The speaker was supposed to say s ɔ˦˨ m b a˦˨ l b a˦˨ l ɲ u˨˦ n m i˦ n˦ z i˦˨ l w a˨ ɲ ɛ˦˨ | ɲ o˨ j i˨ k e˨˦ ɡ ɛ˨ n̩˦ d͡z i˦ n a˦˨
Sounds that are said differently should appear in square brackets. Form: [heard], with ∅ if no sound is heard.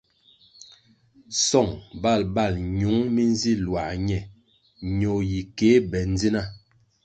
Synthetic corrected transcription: s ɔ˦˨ [ŋ] b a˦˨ l b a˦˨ l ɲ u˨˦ [ŋ] m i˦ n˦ z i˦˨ l w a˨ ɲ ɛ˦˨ | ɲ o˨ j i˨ k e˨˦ [b] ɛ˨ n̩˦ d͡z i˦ n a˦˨

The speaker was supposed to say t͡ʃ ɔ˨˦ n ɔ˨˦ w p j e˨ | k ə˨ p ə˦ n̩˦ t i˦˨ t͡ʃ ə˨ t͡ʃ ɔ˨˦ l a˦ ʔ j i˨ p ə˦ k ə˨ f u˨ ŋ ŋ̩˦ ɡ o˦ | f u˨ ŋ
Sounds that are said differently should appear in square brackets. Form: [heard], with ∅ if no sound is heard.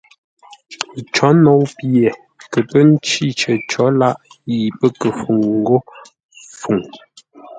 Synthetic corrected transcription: t͡ʃ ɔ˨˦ n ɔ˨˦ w p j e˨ | k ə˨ p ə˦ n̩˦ [t͡ʃ] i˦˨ t͡ʃ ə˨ t͡ʃ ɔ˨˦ l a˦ ʔ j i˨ p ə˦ k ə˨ f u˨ ŋ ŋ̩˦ ɡ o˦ | f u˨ ŋ

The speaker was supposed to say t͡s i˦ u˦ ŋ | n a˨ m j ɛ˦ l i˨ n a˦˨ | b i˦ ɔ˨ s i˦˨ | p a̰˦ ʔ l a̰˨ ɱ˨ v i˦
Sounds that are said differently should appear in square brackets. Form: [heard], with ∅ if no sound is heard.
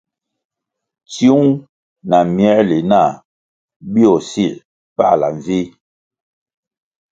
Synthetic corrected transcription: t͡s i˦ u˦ ŋ | n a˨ m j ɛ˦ l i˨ n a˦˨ | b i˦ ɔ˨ s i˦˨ | p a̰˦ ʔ l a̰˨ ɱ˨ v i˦

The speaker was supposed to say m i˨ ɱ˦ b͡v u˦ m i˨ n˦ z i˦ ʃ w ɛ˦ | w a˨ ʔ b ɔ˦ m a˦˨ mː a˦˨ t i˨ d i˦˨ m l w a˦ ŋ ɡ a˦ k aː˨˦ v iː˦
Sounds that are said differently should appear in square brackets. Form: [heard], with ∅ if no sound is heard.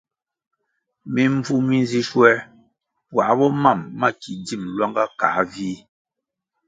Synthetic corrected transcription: m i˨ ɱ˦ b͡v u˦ m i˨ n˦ z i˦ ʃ w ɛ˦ | w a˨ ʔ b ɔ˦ m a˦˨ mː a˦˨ [k] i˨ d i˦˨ m l w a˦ ŋ ɡ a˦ k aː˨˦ v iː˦

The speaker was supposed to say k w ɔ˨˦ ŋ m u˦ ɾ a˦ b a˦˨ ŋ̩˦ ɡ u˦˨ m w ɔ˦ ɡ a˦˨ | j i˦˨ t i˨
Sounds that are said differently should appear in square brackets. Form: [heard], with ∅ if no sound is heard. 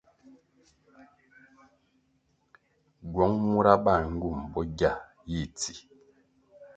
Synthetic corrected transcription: [ɡ] w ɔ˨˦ ŋ m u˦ ɾ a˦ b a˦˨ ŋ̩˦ ɡ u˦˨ m [b] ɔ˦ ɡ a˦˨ | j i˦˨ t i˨

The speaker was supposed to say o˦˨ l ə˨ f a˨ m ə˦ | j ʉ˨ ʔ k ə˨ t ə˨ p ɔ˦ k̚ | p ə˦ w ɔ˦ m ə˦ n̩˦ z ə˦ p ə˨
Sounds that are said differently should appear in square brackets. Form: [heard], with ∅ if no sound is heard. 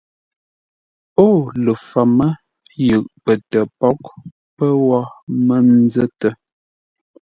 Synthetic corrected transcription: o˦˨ l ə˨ f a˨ m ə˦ | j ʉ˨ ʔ [p] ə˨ t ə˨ p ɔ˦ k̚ | p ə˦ w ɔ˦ m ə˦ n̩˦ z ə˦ [t] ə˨

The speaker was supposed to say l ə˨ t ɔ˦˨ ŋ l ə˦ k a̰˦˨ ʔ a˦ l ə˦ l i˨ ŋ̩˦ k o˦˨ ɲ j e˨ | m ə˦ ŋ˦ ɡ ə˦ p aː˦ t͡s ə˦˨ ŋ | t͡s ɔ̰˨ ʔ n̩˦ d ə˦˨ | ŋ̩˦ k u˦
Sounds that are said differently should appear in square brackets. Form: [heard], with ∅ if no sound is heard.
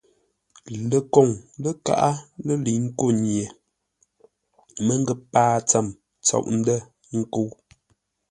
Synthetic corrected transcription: l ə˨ [k] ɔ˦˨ ŋ l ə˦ k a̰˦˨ ʔ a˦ l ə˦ l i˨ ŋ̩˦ k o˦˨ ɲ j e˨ | m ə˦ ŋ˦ ɡ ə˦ p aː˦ t͡s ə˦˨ [m] | t͡s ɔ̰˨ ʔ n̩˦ d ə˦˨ | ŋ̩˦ k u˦

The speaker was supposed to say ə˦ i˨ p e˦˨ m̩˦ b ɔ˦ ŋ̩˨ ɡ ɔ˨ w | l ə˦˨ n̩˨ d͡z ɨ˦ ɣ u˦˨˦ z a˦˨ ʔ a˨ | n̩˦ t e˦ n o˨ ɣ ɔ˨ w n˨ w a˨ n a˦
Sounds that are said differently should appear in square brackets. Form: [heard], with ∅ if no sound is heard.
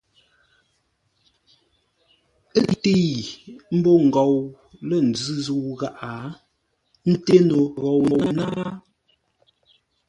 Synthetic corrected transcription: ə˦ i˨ [t] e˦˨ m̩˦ b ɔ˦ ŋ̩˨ ɡ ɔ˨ w | l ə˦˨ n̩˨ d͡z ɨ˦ [z] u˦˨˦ [ɣ] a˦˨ ʔ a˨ | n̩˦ t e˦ n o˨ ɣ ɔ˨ w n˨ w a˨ n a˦

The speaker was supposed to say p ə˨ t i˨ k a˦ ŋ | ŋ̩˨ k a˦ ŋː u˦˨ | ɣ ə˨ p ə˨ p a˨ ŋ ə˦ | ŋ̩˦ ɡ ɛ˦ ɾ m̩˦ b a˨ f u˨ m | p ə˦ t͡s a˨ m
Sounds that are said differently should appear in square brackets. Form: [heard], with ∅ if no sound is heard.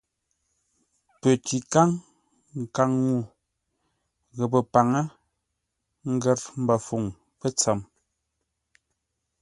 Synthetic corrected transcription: p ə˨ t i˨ k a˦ ŋ | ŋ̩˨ k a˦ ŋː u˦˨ | ɣ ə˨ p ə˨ p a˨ ŋ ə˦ | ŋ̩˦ ɡ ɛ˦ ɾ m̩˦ b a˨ f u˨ [ŋ] | p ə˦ t͡s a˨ m

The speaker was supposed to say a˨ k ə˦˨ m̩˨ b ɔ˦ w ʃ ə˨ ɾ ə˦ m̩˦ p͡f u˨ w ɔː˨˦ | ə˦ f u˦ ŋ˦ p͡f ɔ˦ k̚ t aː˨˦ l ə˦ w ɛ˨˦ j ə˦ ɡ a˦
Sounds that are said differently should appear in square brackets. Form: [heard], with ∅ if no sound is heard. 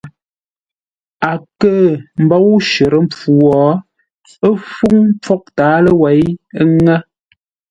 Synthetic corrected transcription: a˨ k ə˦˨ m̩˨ b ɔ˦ w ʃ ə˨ ɾ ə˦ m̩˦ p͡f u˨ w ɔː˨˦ | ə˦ f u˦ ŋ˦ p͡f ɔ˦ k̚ t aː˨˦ l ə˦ w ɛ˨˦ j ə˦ [ŋ] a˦

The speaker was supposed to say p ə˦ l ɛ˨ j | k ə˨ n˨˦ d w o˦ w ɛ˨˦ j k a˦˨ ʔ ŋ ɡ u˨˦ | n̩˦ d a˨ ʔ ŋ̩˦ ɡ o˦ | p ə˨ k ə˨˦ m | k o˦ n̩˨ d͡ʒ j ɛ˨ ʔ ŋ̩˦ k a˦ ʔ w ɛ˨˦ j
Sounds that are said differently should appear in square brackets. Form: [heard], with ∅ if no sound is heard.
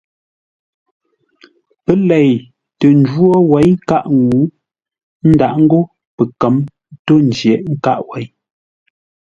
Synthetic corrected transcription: p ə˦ l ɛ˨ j | [t] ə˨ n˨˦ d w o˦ w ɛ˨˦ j k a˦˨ ʔ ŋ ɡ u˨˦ | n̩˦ d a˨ ʔ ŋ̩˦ ɡ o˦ | p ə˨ k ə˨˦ m | [t] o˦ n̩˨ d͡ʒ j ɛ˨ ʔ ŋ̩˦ k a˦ ʔ w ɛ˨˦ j

